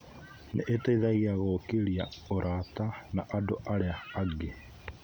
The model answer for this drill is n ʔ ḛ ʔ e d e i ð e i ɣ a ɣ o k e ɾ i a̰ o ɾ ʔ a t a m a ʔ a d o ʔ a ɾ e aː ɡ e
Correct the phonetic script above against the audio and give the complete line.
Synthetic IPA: n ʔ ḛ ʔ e t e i ð a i ɣ a ɣ o k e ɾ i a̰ o ɾ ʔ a t a n a ʔ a d o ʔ a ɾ e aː ɡ e